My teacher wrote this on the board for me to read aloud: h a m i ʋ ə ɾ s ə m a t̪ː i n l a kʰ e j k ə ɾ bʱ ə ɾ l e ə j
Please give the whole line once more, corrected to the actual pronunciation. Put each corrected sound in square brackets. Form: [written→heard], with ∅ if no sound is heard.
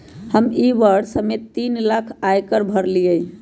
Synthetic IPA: h [a→ə] m i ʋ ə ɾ s ə m [a→e] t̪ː i n l a kʰ [e→a] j k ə ɾ bʱ ə ɾ l [e→i] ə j